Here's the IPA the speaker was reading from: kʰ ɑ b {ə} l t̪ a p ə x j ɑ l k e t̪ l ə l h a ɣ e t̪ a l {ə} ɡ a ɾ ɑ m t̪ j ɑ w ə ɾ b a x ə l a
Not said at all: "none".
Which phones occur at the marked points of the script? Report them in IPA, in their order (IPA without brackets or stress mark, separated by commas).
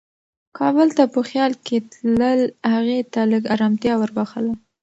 ə, ə